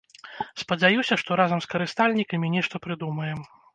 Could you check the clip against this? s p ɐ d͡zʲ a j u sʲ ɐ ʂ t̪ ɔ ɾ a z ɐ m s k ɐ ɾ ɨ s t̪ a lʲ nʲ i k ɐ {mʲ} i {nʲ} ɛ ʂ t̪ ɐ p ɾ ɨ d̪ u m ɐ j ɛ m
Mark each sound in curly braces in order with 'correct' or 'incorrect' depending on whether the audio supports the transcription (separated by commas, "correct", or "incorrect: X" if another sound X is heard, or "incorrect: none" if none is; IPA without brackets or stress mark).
correct, correct